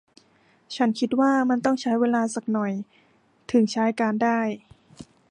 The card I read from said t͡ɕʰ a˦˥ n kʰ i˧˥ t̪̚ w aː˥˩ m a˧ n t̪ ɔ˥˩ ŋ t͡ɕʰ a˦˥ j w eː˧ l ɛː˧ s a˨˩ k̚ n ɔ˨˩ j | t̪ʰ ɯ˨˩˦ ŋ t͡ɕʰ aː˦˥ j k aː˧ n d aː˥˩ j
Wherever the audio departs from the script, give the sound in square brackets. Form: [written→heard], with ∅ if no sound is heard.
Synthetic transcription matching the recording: t͡ɕʰ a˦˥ n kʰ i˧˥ t̪̚ w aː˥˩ m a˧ n t̪ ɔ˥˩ ŋ t͡ɕʰ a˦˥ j w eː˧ l [ɛː˧→aː˧] s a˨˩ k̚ n ɔ˨˩ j | t̪ʰ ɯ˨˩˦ ŋ t͡ɕʰ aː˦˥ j k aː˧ n d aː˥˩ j